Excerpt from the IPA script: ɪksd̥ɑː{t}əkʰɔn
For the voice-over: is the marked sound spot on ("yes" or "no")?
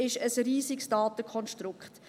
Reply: yes